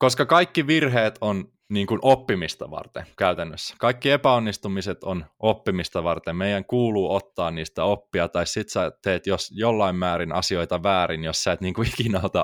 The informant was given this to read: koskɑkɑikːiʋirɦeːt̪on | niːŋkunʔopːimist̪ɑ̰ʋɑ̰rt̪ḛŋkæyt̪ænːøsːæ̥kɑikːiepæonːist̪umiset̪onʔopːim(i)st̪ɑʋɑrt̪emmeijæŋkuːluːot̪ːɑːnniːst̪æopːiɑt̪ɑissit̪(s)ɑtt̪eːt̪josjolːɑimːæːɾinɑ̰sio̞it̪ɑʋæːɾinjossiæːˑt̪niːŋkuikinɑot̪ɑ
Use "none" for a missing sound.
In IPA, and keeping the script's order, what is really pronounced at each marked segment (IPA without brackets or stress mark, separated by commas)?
i, s